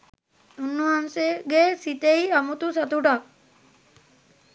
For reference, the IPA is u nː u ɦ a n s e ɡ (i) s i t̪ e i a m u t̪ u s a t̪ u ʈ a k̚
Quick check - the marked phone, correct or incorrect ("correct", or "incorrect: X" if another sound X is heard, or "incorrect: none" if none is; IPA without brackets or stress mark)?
incorrect: e